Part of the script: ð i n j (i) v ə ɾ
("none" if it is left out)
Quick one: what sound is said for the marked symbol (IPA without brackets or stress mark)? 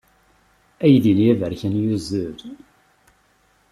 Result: æ